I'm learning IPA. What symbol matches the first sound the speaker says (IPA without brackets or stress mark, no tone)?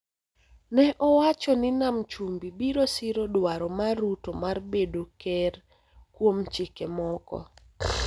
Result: n